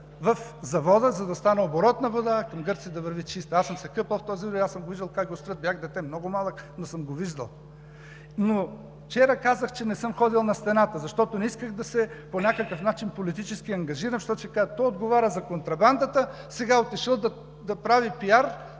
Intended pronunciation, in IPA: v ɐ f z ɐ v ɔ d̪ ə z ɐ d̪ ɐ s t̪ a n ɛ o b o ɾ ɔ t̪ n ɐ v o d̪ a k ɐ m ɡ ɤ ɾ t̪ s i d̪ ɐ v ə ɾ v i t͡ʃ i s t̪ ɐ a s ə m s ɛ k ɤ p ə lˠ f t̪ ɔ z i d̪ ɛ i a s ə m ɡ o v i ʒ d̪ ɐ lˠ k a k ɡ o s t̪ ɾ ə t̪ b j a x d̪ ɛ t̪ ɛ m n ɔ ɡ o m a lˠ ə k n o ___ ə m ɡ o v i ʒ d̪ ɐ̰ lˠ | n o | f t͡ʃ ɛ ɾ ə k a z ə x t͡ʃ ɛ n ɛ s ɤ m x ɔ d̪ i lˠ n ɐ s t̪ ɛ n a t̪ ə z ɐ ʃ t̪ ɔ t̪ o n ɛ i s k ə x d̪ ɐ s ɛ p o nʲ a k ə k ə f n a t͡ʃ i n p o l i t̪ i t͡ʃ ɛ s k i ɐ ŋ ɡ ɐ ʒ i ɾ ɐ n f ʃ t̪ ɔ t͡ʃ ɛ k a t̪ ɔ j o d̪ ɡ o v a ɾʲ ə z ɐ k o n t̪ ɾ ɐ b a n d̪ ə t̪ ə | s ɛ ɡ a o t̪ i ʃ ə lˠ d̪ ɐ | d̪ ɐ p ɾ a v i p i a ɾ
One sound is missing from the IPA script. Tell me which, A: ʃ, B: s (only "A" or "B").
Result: B